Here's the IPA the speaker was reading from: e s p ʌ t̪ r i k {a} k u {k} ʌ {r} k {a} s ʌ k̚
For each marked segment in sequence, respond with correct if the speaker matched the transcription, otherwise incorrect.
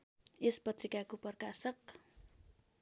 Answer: correct, incorrect: p, correct, correct

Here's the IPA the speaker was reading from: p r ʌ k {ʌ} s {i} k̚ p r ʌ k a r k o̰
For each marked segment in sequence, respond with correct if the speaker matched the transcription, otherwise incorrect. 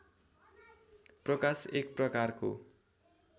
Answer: incorrect: a, incorrect: e

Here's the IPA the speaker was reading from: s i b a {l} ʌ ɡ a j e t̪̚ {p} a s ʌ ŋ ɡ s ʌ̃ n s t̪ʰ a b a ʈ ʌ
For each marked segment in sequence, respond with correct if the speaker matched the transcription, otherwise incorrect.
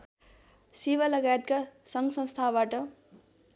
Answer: correct, incorrect: k

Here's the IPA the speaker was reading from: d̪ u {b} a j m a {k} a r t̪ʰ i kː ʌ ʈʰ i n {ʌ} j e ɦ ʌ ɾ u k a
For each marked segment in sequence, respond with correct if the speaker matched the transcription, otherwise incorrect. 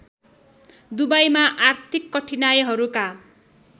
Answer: correct, incorrect: ʔ, incorrect: a

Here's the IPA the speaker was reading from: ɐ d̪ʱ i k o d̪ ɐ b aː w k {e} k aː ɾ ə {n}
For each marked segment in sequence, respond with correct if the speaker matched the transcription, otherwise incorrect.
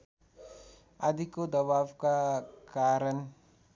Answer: incorrect: a, correct

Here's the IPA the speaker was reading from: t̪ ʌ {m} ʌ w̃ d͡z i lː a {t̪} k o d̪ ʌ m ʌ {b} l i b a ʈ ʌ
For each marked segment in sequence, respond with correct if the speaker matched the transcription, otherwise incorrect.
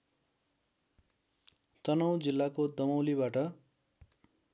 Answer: incorrect: n, incorrect: none, incorrect: w

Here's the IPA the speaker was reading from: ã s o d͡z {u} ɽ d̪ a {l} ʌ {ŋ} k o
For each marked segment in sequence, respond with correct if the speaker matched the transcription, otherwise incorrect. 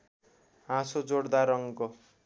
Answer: incorrect: o, incorrect: ɾ, correct

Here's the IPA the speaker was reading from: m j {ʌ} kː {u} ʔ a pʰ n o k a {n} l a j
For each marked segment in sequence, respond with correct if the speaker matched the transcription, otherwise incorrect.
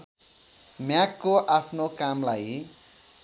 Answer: incorrect: a, incorrect: o, incorrect: m

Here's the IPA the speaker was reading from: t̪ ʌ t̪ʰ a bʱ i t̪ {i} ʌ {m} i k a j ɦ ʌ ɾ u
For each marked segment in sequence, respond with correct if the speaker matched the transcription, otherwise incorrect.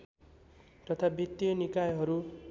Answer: incorrect: j, incorrect: n

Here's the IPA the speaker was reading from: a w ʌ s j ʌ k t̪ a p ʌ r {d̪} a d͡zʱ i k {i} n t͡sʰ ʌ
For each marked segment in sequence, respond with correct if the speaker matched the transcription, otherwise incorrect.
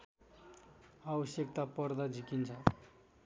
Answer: correct, correct

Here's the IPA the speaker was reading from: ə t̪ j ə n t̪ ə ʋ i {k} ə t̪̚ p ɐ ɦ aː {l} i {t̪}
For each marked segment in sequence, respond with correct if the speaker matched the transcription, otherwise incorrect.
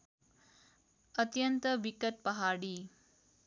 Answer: correct, incorrect: ɽ, incorrect: none

